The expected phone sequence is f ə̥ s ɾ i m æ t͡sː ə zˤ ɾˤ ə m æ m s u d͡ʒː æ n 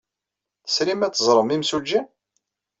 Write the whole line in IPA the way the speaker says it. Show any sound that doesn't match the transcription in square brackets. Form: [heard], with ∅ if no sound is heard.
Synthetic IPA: [θ] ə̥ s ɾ i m æ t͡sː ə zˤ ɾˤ ə m [i] m s u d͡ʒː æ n